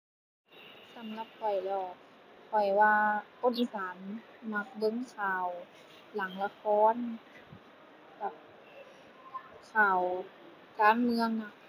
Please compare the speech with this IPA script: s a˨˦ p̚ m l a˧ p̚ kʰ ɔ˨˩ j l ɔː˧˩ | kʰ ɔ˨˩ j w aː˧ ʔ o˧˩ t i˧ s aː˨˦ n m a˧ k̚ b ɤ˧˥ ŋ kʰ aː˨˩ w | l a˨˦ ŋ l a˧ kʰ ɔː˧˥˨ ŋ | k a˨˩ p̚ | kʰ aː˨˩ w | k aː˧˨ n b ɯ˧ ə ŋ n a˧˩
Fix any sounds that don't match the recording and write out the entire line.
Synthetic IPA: s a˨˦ m l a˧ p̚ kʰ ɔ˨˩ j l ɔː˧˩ | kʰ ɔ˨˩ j w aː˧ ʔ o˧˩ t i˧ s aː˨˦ n m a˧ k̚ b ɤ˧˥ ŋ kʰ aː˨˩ w | l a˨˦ ŋ l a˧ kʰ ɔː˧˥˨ n | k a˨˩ p̚ | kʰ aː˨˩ w | k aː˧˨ n m ɯ˧ ə ŋ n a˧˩